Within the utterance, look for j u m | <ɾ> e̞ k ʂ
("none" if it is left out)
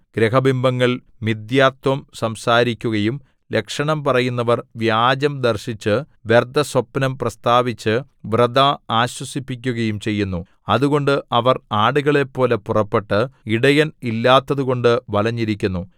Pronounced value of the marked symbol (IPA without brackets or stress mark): l